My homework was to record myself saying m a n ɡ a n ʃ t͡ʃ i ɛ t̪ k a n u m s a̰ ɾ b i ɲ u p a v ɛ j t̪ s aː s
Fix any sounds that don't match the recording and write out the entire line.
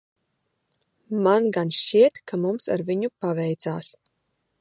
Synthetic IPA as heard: m a n ɡ a n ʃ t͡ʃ i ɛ t̪ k a m u m s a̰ ɾ v i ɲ u p a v ɛ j t̪ s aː s